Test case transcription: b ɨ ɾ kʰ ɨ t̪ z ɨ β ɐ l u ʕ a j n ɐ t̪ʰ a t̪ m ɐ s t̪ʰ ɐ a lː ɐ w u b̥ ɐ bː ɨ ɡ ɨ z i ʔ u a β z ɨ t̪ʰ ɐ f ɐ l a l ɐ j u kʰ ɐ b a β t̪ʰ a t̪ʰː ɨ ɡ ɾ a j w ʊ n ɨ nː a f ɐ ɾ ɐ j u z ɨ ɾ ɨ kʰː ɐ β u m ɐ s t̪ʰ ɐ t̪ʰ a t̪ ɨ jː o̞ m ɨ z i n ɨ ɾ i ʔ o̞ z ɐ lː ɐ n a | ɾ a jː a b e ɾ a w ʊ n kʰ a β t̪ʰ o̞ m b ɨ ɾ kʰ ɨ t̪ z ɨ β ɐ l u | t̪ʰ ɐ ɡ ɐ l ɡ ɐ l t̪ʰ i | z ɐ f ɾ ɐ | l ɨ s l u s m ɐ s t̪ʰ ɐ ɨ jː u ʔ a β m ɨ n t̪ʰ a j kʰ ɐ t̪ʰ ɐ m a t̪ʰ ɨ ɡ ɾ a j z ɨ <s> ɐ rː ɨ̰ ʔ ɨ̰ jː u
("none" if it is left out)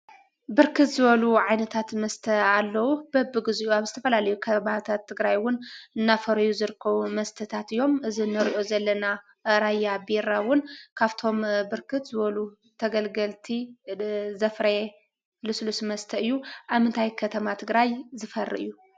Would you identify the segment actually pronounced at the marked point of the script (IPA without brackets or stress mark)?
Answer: f